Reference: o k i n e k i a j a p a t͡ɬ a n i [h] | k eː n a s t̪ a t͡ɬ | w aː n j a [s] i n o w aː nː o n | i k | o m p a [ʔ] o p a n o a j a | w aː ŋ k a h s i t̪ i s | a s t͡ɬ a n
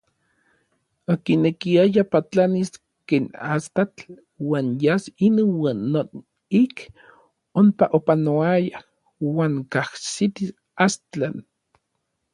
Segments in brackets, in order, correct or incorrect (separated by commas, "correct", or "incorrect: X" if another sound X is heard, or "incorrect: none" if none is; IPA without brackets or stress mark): incorrect: s, correct, correct